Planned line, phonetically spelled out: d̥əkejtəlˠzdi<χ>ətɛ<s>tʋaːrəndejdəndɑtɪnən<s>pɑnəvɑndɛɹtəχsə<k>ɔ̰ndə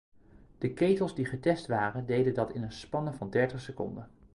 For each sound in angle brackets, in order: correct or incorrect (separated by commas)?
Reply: correct, correct, correct, correct